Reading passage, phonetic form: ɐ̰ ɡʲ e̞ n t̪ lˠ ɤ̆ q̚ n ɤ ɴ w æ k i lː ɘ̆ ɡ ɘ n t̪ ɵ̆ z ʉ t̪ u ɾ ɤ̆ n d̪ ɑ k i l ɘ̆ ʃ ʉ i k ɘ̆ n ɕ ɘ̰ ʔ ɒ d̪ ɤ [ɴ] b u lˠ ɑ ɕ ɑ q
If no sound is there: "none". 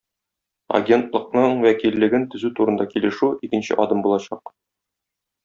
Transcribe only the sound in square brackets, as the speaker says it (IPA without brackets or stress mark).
m